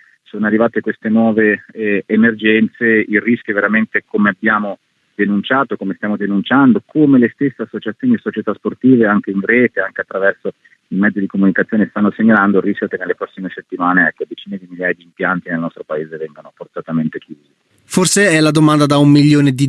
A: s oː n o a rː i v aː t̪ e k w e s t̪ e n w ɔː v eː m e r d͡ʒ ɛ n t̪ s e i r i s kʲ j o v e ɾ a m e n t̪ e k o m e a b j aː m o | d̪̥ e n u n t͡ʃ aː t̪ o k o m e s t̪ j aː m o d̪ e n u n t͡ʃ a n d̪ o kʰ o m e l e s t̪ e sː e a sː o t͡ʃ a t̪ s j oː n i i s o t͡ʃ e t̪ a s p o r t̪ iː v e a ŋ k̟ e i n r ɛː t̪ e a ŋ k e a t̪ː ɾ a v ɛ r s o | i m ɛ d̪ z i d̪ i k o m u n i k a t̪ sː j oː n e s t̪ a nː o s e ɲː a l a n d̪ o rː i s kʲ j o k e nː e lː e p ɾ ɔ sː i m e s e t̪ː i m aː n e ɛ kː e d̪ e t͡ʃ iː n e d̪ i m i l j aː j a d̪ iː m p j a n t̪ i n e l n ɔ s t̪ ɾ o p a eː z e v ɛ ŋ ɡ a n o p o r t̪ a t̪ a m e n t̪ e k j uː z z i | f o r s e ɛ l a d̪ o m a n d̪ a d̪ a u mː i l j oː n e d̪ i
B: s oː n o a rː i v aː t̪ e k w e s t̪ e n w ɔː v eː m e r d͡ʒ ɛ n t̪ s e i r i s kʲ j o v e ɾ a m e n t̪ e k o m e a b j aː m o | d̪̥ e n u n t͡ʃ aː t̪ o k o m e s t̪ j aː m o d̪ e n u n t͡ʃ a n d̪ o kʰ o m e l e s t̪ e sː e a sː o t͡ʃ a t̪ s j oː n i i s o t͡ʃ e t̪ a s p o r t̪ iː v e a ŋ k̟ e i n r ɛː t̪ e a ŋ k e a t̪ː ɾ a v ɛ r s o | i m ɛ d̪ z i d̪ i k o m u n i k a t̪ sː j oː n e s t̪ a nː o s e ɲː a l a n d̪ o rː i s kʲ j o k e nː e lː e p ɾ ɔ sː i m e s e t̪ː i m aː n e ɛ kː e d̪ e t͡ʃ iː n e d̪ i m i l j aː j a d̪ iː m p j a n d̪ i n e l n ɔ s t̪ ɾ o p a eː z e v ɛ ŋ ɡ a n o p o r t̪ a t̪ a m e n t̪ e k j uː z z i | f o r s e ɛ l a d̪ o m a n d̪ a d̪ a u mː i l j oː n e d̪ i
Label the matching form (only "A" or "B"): A